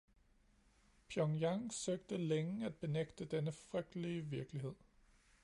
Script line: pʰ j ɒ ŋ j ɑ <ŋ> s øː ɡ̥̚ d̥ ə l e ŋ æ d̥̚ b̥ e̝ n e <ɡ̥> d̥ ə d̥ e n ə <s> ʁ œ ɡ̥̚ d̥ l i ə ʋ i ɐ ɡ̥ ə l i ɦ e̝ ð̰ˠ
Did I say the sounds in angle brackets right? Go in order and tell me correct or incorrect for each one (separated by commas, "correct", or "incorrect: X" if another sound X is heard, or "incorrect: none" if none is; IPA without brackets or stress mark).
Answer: correct, correct, incorrect: f